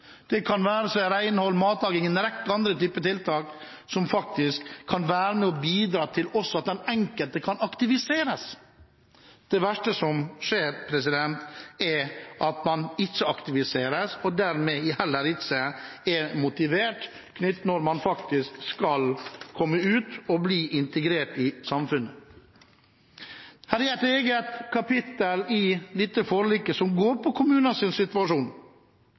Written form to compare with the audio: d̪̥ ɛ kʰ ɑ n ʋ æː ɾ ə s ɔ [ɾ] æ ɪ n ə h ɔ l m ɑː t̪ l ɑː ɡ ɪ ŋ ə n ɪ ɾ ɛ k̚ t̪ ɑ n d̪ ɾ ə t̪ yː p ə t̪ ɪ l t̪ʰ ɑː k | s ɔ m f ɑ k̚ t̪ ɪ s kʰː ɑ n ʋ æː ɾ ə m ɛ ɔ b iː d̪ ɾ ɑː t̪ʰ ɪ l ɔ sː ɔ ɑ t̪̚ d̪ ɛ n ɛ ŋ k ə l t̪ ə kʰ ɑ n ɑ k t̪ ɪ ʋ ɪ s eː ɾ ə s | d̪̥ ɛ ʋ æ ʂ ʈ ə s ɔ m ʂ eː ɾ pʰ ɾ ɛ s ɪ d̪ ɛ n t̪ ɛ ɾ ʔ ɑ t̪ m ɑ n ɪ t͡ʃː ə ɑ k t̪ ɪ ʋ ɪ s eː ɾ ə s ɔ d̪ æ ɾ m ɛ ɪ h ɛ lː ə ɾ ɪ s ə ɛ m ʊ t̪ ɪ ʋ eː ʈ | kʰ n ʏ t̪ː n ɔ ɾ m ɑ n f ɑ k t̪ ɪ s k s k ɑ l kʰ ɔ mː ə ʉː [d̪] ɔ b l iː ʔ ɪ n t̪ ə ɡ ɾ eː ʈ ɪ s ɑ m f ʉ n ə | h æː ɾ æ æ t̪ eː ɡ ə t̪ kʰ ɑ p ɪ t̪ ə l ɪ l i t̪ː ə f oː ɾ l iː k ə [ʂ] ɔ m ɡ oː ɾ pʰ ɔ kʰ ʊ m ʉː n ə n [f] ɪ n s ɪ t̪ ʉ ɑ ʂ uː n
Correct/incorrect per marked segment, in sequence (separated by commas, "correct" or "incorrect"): correct, incorrect, incorrect, incorrect